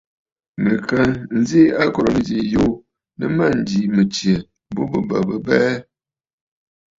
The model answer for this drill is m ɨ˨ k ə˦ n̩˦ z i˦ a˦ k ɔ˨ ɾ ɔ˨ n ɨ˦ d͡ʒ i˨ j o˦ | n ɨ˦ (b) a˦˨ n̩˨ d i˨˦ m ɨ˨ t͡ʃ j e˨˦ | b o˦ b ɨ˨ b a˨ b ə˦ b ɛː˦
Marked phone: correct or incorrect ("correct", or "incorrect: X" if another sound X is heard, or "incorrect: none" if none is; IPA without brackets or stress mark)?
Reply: incorrect: m